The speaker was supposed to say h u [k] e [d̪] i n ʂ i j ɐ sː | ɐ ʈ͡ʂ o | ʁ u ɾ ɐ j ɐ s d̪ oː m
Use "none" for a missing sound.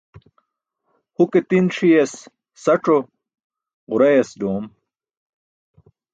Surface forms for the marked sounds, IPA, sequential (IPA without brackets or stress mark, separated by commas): k, t̪